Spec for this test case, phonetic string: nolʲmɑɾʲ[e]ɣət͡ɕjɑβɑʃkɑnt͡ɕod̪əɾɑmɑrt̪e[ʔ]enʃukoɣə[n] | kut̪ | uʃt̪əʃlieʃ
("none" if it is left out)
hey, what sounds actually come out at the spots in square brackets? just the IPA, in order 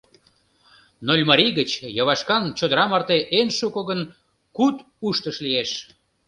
i, ʔ, n

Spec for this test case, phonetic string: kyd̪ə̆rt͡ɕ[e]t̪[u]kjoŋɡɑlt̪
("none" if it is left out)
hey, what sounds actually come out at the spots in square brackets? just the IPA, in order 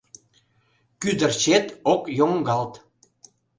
e, o

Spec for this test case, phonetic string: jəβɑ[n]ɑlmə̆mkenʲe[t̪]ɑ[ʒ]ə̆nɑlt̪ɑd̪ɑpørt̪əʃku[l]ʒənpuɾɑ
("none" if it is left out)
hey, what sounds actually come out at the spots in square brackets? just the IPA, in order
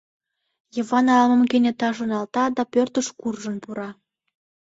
n, t̪, ʒ, r

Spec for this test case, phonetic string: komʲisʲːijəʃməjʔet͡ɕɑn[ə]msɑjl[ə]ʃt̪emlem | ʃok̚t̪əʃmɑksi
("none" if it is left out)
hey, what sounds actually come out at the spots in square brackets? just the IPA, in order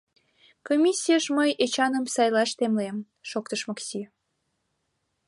ə, ɑ

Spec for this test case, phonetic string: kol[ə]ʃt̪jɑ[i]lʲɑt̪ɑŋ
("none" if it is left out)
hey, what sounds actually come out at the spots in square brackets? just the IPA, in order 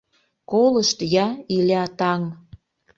ə, i

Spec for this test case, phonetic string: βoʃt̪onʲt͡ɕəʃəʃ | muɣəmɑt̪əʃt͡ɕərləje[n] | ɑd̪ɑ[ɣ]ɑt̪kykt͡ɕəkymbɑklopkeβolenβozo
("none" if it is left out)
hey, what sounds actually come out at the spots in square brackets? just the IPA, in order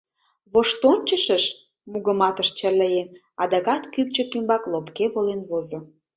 n, ɣ

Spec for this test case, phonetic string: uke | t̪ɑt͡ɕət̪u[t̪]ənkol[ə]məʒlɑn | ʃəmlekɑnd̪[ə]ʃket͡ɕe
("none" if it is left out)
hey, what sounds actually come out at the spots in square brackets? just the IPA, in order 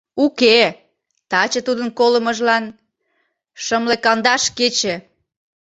d̪, ə, ɑ

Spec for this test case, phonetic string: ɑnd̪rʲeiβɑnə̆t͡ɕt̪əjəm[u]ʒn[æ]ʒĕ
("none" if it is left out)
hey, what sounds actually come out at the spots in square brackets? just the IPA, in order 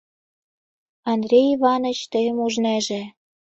u, æ

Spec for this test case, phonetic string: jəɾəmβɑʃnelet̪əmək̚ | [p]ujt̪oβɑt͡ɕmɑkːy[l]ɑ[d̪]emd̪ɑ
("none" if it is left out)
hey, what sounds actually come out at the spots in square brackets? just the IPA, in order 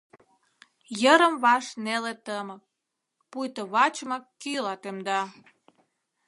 p, l, t̪

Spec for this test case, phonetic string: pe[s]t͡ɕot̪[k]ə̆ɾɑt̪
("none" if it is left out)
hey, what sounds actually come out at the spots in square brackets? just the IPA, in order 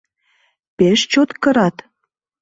ʃ, k

